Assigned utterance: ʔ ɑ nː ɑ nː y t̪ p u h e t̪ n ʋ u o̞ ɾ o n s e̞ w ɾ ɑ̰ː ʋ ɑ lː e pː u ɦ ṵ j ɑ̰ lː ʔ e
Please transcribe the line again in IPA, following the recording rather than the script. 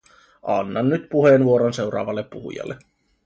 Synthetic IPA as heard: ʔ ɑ nː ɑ nː y t̪ p u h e n ʋ u o̞ ɾ o n s e̞ w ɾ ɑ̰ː ʋ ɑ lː e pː u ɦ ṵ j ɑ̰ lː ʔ e